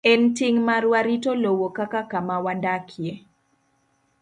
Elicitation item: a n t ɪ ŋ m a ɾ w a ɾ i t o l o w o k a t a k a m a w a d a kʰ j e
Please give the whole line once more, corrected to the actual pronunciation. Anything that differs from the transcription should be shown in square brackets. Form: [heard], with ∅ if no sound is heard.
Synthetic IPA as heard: [ɛ] n t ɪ ŋ m a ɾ w a ɾ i t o l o w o k a [k] a k a m a w a d a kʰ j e